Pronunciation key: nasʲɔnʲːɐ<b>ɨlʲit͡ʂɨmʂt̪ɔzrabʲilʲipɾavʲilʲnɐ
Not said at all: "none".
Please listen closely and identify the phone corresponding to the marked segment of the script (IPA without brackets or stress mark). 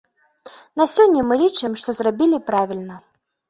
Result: m